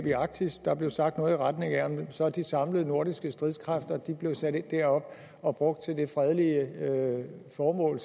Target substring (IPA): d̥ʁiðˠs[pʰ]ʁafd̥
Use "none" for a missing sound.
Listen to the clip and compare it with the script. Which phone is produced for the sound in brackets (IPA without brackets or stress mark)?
kʰ